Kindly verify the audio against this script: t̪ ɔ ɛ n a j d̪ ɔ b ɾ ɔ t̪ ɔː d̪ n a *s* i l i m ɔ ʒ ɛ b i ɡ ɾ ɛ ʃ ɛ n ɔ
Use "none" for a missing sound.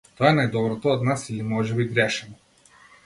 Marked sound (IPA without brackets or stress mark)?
s